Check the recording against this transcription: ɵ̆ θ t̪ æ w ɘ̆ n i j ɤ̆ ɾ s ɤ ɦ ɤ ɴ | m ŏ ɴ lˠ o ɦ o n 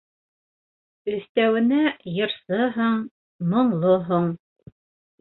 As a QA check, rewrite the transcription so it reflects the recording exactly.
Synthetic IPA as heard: ɵ̆ θ t̪ æ w ɘ̆ n æ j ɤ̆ ɾ s ɤ ɦ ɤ ɴ | m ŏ ɴ lˠ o ɦ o ɴ